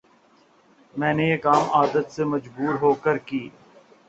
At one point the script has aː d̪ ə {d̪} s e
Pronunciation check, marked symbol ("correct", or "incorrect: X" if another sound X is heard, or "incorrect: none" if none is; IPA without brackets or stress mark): incorrect: t̪